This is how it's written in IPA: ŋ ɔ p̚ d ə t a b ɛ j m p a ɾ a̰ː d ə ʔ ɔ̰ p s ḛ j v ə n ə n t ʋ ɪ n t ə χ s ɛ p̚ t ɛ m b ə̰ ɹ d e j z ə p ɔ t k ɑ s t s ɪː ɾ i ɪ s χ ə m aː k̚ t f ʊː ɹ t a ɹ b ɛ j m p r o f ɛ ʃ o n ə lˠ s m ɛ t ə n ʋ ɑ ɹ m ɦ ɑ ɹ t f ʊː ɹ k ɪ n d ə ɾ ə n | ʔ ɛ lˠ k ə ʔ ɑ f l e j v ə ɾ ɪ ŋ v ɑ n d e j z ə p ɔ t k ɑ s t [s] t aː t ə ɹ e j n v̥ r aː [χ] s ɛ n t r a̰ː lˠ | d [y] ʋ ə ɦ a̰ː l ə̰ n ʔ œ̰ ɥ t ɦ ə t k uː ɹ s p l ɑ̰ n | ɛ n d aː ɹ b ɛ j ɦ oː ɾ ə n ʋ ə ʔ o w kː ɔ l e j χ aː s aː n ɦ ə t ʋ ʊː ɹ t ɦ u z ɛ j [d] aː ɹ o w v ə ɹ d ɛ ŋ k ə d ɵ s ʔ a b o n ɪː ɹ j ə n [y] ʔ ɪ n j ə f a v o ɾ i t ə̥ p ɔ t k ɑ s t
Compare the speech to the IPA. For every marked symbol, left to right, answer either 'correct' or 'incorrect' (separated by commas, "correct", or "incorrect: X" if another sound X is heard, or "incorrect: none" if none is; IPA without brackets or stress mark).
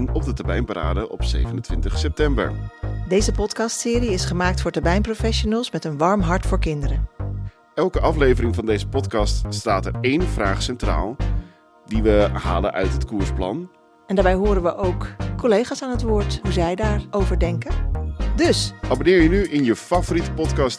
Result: correct, correct, incorrect: i, correct, correct